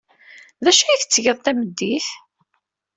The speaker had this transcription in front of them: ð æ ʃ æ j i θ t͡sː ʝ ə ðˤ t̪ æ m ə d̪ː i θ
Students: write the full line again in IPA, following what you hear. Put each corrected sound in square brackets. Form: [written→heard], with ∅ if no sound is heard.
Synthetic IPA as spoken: ð æ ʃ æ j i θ t͡sː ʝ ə ðˤ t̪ æ m ə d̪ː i θ